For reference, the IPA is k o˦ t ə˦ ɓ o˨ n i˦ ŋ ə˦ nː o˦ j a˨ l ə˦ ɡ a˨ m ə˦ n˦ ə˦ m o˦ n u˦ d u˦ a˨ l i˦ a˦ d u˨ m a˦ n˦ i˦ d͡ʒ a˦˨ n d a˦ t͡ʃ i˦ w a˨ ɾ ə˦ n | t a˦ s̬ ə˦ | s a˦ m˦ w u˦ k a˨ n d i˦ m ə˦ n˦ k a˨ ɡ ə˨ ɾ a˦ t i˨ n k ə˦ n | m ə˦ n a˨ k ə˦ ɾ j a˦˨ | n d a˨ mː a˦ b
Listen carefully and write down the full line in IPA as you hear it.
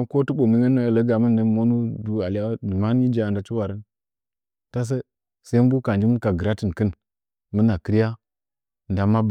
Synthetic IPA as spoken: k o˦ t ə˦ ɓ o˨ m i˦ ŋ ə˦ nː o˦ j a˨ l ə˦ ɡ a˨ m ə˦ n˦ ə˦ m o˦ n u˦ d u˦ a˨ l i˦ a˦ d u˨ m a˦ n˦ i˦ d͡ʒ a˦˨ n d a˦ t͡ʃ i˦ w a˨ ɾ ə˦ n | t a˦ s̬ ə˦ | s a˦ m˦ b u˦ k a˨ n d͡ʒ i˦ m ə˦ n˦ k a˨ ɡ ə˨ ɾ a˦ t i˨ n k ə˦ n | m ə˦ n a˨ k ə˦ ɾ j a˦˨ | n d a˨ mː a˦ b

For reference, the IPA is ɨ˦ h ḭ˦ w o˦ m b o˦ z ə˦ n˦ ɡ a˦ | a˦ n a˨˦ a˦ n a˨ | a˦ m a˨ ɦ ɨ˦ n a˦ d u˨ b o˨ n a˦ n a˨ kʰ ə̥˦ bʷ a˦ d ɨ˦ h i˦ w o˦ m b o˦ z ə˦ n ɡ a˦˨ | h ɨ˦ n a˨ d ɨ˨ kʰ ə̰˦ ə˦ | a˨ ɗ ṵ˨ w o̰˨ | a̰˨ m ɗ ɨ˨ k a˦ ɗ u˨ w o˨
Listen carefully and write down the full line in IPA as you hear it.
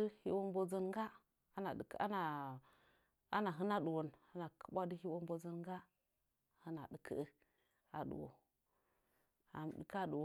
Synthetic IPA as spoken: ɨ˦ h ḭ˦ w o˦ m b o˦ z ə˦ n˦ ɡ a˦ | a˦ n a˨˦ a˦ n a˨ | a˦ n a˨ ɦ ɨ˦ n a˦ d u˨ w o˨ n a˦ n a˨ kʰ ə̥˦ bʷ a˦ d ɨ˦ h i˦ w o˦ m b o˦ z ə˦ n ɡ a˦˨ | h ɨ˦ n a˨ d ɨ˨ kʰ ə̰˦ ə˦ | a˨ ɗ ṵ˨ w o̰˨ | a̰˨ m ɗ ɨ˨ k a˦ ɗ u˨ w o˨

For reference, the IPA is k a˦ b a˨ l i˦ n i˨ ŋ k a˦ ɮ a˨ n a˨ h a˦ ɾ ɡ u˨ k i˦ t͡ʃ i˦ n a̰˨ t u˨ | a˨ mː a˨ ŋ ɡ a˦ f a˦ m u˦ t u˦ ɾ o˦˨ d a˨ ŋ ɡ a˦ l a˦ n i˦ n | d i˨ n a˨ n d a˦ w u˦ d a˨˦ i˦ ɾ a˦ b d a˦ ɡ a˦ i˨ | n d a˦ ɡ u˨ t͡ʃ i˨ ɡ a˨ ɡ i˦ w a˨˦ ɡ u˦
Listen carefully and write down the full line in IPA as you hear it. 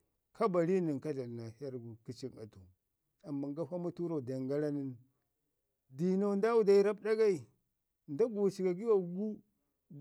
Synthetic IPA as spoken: k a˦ b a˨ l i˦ n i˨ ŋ k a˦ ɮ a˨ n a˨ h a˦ ɾ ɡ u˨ k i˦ t͡ʃ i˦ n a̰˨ t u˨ | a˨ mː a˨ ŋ ɡ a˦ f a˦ m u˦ t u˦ ɾ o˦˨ d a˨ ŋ ɡ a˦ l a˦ n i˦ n | d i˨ n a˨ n d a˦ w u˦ d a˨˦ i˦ ɾ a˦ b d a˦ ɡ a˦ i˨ | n d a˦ ɡ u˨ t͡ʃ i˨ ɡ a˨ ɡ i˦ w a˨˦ ɡ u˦

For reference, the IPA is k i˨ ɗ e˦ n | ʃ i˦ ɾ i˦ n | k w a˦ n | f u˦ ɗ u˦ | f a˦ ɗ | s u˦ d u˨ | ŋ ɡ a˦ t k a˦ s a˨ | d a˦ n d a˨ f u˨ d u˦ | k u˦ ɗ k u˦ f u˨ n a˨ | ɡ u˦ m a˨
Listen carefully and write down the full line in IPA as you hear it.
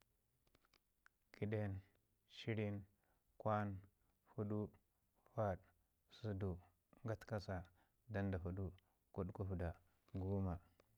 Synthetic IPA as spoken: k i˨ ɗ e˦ n | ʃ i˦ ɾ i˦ n | k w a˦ n | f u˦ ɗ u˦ | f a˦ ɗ | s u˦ d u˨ | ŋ ɡ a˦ t k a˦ s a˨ | d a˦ n d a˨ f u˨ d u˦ | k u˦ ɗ k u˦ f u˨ d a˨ | ɡ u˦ m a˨

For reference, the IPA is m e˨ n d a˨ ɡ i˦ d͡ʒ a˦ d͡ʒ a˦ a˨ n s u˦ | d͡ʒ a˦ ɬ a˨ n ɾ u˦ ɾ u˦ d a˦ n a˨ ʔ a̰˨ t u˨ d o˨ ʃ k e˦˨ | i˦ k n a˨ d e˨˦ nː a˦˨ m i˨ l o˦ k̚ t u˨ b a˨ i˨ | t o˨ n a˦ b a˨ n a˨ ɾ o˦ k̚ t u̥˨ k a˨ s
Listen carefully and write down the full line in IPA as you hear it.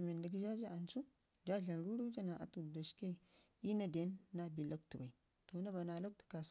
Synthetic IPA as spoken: m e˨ n d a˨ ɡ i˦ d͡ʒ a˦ d͡ʒ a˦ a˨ n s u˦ | d͡ʒ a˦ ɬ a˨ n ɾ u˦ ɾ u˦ d͡ʒ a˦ n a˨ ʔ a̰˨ t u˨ d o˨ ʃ k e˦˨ | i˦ n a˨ d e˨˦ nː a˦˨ b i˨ l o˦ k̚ t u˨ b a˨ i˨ | t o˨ n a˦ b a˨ n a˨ l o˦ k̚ t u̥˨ k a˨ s

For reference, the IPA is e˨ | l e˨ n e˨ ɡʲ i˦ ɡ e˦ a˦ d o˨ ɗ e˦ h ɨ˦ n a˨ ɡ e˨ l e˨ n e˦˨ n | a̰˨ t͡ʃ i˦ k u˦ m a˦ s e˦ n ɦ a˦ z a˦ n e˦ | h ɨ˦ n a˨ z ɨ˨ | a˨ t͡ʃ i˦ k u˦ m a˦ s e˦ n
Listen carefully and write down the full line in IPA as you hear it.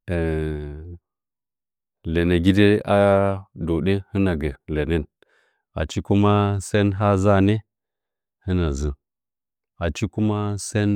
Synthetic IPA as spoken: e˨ | l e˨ n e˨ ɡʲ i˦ d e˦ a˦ d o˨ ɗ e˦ h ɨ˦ n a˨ ɡ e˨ l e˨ n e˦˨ n | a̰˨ t͡ʃ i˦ k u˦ m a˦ s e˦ n ɦ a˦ z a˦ n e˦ | h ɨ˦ n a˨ z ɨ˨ | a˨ t͡ʃ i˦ k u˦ m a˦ s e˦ n

